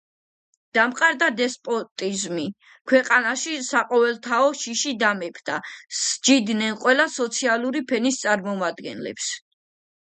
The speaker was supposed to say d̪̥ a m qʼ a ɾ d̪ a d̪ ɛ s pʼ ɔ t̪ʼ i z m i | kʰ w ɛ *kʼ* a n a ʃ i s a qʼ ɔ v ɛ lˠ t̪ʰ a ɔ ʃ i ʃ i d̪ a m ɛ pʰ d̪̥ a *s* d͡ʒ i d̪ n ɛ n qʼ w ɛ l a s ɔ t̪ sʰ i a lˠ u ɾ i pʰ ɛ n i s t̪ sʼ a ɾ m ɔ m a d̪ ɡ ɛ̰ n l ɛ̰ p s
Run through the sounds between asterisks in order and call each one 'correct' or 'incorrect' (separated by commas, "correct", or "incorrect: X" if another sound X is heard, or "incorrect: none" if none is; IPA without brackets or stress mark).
incorrect: qʼ, correct